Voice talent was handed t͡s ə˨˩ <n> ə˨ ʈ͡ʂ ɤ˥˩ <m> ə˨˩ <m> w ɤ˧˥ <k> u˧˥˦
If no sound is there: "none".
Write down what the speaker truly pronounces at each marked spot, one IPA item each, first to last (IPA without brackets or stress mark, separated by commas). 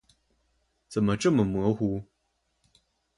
m, m, m, x